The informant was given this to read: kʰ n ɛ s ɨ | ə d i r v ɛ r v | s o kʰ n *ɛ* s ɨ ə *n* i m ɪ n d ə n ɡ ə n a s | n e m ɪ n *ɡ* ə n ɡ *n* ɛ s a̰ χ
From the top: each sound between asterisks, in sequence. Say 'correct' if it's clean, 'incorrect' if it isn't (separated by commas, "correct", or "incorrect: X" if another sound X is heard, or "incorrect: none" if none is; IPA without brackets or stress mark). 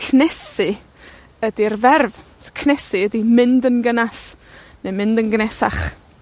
correct, incorrect: d, incorrect: d, correct